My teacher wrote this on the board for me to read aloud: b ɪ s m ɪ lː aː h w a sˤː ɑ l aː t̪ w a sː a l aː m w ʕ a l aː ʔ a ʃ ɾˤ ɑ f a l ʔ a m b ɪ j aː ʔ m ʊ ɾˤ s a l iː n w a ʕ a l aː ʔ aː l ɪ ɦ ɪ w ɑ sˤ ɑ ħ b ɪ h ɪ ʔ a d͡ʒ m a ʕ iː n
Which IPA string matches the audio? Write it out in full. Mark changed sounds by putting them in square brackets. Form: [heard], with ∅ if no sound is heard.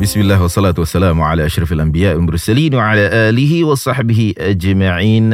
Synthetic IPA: b ɪ s m ɪ lː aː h w [ɑ] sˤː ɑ l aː t̪ w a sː a l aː m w ʕ a l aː ʔ a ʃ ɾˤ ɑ f a l ʔ a m b ɪ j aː ʔ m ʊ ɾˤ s a l iː n w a ʕ a l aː ʔ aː l ɪ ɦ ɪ w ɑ sˤ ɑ ħ b ɪ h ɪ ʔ a d͡ʒ m a ʕ iː n